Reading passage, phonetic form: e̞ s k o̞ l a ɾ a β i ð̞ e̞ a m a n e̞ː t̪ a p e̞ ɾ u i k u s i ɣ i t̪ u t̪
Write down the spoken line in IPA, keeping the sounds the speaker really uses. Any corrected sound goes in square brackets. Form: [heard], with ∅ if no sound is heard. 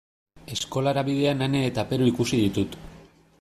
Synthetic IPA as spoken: e̞ s k o̞ l a ɾ a β i ð̞ e̞ a [n] a n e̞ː t̪ a p e̞ ɾ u i k u s i [ð] i t̪ u t̪